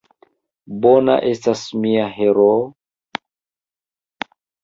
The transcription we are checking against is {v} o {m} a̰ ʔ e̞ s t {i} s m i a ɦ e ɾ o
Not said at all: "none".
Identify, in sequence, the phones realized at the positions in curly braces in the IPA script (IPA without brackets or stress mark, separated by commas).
b, n, a